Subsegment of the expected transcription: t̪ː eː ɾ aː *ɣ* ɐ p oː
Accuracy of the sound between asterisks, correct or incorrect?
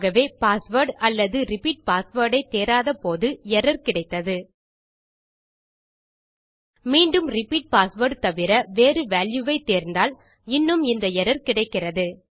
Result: incorrect